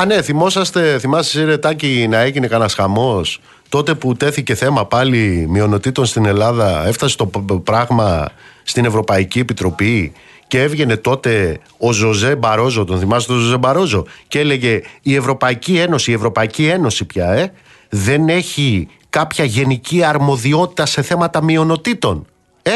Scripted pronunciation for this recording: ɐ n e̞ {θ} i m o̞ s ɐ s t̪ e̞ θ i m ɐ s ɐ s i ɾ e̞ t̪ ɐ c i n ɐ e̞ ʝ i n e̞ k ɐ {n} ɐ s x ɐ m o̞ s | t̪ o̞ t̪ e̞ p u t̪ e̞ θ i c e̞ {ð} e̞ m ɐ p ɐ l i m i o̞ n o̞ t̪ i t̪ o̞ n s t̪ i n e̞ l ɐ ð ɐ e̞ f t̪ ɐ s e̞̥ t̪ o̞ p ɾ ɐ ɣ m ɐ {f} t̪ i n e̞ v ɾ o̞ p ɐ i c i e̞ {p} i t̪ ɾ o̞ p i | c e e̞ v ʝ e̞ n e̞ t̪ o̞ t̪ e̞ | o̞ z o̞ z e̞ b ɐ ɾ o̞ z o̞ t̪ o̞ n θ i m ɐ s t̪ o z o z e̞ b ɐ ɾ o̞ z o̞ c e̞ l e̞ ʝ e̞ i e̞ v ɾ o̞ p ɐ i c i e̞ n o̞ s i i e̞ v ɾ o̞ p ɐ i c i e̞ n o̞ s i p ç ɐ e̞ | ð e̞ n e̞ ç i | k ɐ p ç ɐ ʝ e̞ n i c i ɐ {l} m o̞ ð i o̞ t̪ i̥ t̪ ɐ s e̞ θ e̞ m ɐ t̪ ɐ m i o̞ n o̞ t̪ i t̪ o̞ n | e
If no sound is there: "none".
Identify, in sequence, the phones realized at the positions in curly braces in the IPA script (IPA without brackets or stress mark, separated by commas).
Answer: θ, n, θ, s, p, ɾ